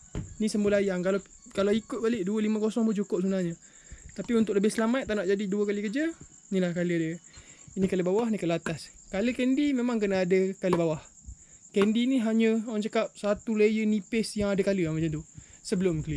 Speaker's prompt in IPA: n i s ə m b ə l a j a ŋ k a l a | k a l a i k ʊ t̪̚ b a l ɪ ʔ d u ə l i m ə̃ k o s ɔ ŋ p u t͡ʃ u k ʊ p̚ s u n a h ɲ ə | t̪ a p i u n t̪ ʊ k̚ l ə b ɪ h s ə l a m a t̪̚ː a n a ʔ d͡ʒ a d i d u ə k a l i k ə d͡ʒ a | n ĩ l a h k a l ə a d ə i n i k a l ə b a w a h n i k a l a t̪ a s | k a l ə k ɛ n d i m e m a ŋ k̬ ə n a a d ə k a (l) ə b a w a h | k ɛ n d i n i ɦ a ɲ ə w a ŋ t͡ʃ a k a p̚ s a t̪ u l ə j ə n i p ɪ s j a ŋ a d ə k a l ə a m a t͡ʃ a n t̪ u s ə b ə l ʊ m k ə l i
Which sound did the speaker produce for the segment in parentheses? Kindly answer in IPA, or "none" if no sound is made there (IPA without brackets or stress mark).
l